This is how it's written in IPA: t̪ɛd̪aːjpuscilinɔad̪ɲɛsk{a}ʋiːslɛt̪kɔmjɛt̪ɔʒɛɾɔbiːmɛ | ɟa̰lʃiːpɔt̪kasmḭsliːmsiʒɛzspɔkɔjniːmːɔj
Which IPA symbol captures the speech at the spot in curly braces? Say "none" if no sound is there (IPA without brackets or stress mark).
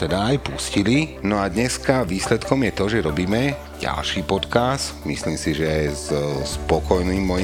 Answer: a